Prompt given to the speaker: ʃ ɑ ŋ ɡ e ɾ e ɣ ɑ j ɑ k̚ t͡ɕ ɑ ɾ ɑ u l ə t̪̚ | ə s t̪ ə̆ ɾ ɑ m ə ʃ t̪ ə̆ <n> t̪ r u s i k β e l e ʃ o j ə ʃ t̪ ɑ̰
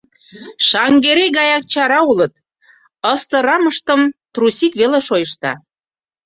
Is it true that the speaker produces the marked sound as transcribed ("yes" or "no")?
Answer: no